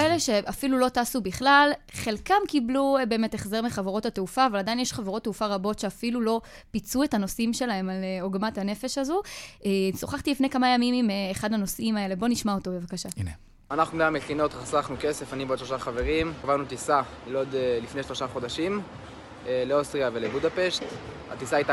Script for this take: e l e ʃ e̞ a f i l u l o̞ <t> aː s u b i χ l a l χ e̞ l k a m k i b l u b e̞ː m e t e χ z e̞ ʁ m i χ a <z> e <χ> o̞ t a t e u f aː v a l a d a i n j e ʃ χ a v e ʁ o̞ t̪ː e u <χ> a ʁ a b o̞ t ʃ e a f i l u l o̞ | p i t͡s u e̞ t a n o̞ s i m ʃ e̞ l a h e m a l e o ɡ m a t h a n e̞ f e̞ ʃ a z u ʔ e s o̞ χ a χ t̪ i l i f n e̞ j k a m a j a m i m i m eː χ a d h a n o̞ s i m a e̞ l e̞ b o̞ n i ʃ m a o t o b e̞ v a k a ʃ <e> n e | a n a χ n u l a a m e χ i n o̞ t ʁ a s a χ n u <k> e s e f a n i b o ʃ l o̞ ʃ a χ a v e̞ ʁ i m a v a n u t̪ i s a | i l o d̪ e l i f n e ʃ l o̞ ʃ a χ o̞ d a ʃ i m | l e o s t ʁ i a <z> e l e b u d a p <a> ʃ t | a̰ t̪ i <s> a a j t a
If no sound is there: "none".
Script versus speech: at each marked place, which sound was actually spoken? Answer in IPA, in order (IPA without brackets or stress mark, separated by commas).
t, v, ʁ, f, a, k, v, e, s